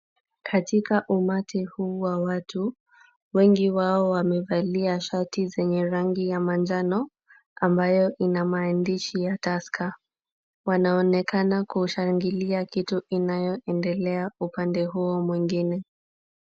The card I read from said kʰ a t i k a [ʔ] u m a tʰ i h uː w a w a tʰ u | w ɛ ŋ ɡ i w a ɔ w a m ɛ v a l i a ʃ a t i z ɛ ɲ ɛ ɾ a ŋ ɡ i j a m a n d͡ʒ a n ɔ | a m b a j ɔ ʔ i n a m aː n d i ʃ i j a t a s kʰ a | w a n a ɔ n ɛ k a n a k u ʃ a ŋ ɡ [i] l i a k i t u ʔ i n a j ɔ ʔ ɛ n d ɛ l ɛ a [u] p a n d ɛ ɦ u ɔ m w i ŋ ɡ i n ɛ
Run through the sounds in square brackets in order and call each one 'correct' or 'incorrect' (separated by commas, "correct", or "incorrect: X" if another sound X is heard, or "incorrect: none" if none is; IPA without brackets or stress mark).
correct, correct, correct